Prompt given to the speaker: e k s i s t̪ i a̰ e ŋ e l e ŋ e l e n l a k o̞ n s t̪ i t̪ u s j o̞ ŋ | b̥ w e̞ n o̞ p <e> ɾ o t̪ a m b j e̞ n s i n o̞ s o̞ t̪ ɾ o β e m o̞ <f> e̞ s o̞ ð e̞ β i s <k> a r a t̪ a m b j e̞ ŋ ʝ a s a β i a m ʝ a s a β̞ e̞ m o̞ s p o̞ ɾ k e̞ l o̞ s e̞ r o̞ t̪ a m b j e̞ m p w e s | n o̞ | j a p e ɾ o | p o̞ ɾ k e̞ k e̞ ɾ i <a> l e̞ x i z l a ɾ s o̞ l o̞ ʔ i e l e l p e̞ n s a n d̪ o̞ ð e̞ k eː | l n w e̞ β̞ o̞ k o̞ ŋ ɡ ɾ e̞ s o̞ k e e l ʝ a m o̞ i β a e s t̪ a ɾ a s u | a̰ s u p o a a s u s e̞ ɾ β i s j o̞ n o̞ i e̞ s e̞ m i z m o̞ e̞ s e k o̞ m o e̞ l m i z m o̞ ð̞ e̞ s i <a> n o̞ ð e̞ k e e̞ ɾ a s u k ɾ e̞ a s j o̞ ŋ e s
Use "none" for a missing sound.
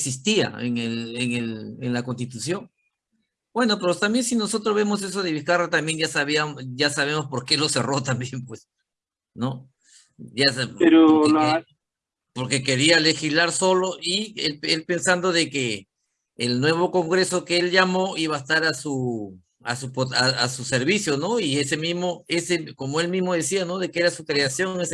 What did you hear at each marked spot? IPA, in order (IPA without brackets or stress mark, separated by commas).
e, s, k, a, a